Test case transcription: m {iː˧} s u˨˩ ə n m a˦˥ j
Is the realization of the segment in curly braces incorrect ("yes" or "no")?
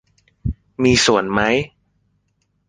no